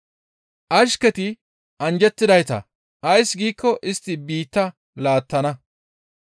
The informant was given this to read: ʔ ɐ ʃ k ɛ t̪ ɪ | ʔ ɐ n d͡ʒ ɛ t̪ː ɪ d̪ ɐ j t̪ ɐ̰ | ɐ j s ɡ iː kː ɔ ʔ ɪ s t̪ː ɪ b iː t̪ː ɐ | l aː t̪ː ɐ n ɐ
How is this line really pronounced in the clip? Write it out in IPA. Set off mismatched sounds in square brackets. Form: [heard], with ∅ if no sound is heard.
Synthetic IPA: ʔ ɐ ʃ k ɛ t̪ ɪ | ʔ ɐ n d͡ʒ ɛ t̪ː ɪ d̪ ɐ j t̪ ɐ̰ | ɐ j s ɡ iː kː ɔ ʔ ɪ s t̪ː ɪ b iː t̪ː ɐ | l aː t̪ː ɐ n ɐ